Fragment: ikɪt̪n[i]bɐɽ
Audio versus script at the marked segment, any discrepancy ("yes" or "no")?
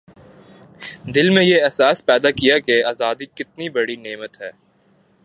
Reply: no